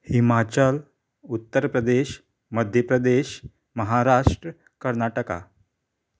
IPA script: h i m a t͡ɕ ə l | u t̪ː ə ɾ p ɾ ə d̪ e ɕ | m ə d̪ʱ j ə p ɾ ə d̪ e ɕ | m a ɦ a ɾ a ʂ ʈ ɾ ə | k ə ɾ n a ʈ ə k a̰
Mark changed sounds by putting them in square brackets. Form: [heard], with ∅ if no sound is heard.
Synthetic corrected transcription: h i m a t͡ɕ ə l | u t̪ː ə ɾ p ɾ ə d̪ e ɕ | m ə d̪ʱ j ə p ɾ ə d̪ e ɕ | m [ə] ɦ a ɾ a ʂ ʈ ɾ ə | k ə ɾ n a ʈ ə k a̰